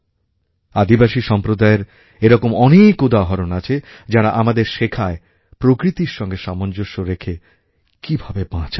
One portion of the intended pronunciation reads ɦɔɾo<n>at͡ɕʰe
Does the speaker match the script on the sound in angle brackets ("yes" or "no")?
yes